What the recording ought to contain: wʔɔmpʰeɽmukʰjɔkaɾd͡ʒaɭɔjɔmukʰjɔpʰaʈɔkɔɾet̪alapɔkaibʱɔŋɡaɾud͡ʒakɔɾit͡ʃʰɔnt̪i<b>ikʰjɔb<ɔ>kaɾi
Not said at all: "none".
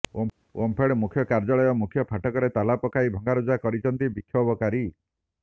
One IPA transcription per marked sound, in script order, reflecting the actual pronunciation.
b, ɔ

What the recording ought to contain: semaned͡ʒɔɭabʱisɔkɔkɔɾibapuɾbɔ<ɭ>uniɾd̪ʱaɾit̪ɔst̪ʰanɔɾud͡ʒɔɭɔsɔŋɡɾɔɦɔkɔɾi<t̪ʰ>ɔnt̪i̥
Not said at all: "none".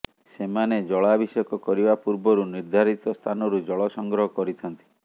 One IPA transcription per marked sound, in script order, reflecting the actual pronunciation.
ɾ, t̪ʰ

